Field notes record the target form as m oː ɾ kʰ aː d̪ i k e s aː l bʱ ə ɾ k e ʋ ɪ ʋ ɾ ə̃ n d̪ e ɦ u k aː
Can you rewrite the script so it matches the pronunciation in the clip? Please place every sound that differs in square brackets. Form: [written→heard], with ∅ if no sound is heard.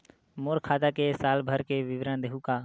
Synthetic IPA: m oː ɾ kʰ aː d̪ [i→a] k e s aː l bʱ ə ɾ k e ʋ ɪ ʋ ɾ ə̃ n d̪ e ɦ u k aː